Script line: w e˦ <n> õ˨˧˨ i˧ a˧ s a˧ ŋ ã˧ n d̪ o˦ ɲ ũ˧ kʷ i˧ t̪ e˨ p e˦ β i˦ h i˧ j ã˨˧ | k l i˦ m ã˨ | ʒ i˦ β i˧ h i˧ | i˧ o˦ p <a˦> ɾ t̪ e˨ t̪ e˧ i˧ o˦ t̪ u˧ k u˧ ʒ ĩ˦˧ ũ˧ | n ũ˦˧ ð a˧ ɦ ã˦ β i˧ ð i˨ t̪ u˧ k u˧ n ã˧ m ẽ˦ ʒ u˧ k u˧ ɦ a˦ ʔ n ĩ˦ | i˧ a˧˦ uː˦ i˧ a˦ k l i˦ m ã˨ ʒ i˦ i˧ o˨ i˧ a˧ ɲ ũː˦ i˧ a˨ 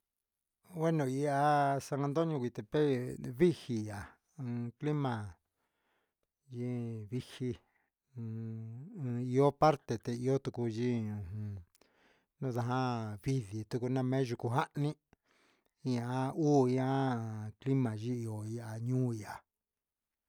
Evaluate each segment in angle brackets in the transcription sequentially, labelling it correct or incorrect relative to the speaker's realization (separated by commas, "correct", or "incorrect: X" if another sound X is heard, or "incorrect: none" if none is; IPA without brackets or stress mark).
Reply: correct, correct